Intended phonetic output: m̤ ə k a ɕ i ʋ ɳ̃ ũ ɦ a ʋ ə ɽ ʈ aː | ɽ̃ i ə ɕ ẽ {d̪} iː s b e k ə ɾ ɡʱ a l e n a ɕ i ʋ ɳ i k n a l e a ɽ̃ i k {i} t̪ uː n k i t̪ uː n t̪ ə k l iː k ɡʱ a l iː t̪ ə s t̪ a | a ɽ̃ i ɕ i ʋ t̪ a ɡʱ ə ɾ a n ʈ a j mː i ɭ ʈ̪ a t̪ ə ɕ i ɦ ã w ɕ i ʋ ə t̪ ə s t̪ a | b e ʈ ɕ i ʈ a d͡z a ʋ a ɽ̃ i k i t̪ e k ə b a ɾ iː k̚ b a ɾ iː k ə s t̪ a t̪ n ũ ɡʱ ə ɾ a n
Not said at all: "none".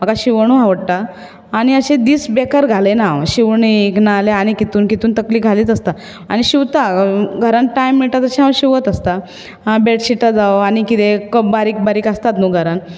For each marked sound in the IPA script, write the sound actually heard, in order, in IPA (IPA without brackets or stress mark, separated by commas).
d̪, i